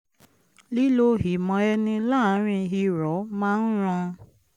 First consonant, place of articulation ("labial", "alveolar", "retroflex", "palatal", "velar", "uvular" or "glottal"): alveolar